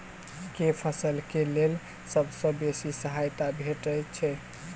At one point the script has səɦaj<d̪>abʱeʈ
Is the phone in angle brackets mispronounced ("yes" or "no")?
yes